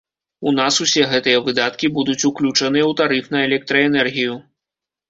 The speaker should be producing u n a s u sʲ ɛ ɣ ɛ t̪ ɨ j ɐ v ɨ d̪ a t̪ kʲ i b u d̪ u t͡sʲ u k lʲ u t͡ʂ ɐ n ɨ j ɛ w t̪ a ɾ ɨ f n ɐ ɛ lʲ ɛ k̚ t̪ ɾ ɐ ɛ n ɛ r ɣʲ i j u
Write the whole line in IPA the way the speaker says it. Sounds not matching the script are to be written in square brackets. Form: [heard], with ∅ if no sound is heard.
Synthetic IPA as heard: u n a s u sʲ ɛ ɣ ɛ t̪ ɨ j ɐ v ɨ d̪ a t̪ kʲ i b u d̪ u t͡sʲ u k lʲ u t͡ʂ ɐ n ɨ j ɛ w t̪ a ɾ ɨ f n ɐ ɛ lʲ ɛ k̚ t̪ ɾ ɐ ɛ n ɛ r ɣʲ i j u